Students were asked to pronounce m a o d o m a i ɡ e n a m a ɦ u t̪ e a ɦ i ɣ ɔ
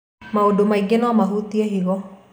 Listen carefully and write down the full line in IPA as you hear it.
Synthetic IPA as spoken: m a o d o m a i ɡ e n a m a ɦ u t̪ i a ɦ i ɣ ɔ

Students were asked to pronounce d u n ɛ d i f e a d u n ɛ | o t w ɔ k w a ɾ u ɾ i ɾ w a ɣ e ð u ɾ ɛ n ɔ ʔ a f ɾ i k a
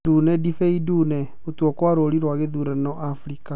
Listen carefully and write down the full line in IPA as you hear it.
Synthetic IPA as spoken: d u n ɛ d i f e i d u n ɛ | o t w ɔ k w a ɾ o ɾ i ɾ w a ɣ e ð u ɾ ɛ n ɔ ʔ a f ɾ i k a

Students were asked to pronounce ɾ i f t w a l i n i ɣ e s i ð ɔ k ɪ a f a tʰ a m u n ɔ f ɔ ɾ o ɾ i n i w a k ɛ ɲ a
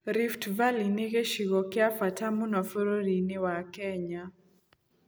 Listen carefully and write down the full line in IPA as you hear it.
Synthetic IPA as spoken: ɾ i f t v a l i n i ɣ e ʃ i ɣ ɔ k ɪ a f a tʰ a m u n ɔ f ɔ ɾ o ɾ i n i w a k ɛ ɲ a

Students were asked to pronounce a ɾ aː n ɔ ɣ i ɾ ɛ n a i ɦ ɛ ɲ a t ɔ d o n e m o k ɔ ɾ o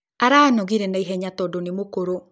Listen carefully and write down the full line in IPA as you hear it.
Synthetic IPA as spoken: a ɾ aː n ɔ ɣ i ɾ ɛ n a i ɦ ɛ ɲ a t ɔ d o n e m o k o ɾ o

